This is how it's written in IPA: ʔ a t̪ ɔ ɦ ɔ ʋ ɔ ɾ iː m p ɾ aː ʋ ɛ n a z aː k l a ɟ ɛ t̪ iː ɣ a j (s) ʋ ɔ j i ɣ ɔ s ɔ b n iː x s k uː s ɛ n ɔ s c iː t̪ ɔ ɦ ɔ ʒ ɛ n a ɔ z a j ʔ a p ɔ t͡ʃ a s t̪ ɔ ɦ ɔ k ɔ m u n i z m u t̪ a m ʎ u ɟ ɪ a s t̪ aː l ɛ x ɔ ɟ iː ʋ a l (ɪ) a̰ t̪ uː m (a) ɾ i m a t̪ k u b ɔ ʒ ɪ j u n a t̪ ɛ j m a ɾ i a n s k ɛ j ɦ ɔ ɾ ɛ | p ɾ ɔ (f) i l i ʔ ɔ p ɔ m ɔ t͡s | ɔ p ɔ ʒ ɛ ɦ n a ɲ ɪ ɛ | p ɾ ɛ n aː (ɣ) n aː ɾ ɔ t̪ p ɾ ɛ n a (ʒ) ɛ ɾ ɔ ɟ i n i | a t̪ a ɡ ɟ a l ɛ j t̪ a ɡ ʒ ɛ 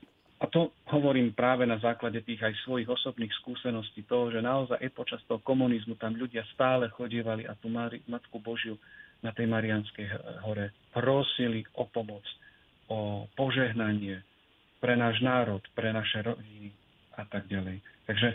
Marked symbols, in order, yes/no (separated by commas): yes, no, yes, no, no, no